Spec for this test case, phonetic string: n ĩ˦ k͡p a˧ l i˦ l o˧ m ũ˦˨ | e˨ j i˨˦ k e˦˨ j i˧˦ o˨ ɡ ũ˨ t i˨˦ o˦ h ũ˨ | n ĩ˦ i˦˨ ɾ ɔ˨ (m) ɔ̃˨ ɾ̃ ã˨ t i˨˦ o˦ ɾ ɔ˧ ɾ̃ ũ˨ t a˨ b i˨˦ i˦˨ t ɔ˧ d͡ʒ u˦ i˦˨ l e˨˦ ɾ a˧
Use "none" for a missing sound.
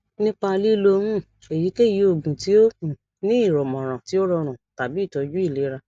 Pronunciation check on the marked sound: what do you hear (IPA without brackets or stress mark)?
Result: m